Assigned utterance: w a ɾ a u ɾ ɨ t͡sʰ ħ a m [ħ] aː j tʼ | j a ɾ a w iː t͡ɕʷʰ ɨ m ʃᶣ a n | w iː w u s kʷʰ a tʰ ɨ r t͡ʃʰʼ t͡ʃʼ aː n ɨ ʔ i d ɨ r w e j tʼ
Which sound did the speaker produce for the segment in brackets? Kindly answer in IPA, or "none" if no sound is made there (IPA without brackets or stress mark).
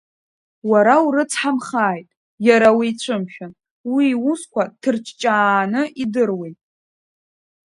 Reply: χ